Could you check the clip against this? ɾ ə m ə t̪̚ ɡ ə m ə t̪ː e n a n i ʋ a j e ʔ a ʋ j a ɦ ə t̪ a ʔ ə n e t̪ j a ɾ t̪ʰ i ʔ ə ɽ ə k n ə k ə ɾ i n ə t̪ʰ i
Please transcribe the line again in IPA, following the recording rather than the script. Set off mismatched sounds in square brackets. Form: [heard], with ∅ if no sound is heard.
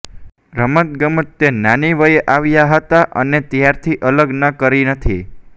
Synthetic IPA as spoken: ɾ ə m ə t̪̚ ɡ ə m ə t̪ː e n a n i ʋ [ə] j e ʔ a ʋ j a ɦ ə t̪ a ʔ ə n e t̪ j a ɾ t̪ʰ i ʔ ə [l] ə [ɡ] n ə k ə ɾ i n ə t̪ʰ i